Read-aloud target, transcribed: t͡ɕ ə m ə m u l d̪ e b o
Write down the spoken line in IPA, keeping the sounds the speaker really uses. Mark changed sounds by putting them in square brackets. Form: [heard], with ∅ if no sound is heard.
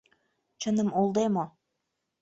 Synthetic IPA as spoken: t͡ɕ ə [n] ə m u l d̪ e [m] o